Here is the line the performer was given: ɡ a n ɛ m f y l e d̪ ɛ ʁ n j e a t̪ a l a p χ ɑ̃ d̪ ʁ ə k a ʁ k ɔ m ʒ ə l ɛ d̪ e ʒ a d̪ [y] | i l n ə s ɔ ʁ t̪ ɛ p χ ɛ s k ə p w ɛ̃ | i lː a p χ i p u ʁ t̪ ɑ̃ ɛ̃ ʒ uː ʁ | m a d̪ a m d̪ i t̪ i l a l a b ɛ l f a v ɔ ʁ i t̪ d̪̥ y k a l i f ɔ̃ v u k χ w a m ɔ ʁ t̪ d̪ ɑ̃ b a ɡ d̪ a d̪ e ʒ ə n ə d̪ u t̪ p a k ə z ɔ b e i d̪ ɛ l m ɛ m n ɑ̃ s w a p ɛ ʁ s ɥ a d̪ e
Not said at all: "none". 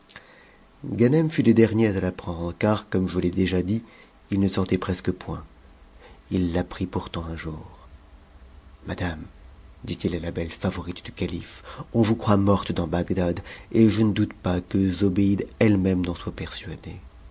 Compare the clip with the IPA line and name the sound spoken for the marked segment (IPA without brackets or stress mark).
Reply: i